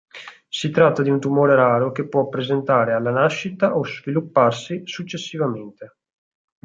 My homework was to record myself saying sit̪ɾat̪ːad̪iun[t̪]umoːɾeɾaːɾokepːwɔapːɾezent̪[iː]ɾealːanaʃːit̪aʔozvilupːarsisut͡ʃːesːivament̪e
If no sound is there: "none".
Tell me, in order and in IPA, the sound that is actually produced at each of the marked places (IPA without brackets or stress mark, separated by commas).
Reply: t̪, aː